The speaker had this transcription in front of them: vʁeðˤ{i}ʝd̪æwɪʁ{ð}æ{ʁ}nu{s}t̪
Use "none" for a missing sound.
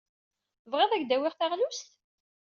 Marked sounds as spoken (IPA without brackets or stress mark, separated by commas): æ, θ, ʁ, s